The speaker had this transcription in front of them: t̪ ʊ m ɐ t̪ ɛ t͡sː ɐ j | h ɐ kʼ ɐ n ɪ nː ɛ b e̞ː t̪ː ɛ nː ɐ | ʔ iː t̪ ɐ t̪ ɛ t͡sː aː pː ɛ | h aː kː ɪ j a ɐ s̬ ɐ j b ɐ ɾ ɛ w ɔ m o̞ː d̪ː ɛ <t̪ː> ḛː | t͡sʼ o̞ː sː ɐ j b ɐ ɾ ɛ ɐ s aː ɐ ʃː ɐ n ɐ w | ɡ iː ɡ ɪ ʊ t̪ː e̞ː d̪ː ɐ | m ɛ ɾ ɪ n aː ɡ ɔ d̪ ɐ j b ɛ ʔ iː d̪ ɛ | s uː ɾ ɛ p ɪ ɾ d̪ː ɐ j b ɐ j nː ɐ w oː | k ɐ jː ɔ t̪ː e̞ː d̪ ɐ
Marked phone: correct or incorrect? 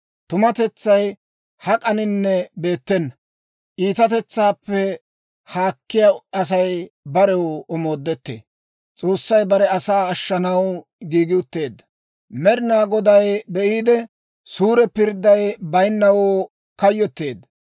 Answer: correct